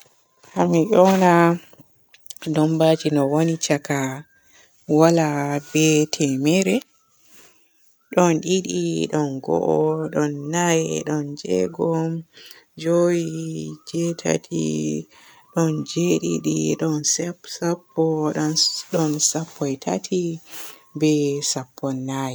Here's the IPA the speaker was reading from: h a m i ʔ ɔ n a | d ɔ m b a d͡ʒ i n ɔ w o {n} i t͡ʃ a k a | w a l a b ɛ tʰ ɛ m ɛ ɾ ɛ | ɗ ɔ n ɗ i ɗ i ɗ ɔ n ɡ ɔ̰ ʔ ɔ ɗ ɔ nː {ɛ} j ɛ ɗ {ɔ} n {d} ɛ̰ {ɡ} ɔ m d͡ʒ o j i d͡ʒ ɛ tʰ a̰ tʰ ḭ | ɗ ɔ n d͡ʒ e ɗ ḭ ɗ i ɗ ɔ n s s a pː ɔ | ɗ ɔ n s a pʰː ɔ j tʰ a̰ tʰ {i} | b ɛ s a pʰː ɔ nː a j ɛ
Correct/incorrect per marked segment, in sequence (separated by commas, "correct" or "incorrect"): correct, incorrect, correct, incorrect, correct, correct